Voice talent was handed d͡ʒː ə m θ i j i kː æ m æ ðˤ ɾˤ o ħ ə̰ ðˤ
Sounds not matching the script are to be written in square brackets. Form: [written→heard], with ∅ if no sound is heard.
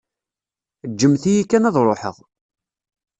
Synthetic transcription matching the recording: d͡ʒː ə m θ i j i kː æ [m→n] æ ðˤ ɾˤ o ħ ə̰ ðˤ